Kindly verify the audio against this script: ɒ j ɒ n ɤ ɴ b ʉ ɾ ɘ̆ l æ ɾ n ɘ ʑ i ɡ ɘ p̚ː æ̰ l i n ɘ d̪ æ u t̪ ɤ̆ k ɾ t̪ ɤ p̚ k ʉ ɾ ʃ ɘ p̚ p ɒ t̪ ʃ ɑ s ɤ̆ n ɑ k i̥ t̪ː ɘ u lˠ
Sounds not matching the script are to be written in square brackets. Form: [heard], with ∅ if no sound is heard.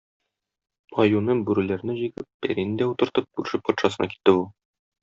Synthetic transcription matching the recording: ɒ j [u] n ɤ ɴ b ʉ ɾ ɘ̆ l æ ɾ n ɘ ʑ i ɡ ɘ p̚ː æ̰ [ɾ] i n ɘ d̪ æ u t̪ ɤ̆ [∅] ɾ t̪ ɤ p̚ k ʉ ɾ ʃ ɘ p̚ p ɒ t̪ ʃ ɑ s ɤ̆ n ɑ k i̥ t̪ː ɘ u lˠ